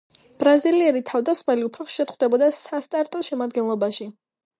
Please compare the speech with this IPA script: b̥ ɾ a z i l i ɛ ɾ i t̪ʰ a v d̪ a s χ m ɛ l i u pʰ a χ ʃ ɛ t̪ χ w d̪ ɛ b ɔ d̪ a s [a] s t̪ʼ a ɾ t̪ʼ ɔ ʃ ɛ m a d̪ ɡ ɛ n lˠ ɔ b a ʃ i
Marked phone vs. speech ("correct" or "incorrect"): correct